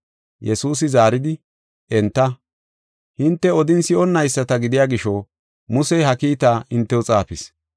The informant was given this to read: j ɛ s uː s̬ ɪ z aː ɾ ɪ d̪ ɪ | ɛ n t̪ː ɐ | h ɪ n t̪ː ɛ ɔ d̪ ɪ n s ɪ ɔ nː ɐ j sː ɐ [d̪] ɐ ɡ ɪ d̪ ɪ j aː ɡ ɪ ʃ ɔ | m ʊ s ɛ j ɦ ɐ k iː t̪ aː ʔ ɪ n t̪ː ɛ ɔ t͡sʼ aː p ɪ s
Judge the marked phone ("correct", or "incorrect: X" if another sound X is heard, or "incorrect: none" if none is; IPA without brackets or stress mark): incorrect: t̪